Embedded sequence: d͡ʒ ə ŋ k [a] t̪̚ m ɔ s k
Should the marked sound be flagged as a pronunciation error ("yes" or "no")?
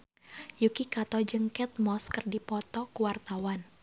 yes